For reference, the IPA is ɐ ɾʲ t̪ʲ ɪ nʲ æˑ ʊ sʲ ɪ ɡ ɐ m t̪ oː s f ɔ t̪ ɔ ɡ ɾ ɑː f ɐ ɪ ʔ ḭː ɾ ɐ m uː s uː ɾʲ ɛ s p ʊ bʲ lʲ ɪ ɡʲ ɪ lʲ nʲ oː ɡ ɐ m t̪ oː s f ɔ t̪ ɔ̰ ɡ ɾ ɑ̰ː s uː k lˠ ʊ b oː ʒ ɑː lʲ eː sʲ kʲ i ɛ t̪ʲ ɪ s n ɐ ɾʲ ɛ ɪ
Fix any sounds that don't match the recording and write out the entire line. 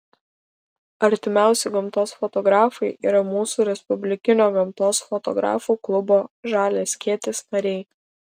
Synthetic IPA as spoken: ɐ ɾʲ t̪ʲ ɪ mʲ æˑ ʊ sʲ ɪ ɡ ɐ m t̪ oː s f ɔ t̪ ɔ ɡ ɾ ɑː f ɐ ɪ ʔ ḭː ɾ ɐ m uː s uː ɾʲ ɛ s p ʊ bʲ lʲ ɪ kʲ ɪ nʲ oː ɡ ɐ m t̪ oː s f ɔ t̪ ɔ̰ ɡ ɾ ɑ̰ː f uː k lˠ ʊ b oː ʒ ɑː lʲ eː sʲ kʲ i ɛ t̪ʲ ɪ s n ɐ ɾʲ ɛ ɪ